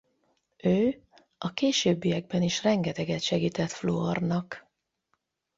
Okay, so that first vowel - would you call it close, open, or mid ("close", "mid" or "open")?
mid